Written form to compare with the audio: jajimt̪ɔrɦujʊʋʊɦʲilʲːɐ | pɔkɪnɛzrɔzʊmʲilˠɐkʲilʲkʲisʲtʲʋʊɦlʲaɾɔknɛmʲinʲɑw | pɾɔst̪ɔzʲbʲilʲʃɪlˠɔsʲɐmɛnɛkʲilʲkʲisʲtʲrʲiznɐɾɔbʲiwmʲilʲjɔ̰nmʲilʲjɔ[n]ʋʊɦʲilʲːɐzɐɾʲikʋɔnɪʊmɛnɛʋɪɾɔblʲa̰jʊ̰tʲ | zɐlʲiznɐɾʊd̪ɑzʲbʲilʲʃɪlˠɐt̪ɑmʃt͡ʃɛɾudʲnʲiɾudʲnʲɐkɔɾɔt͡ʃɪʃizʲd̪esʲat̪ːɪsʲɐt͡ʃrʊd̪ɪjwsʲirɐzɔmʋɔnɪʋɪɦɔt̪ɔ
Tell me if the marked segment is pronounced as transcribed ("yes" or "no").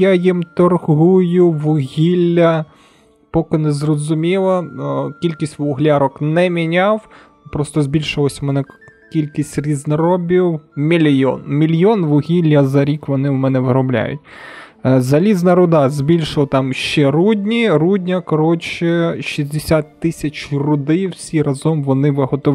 yes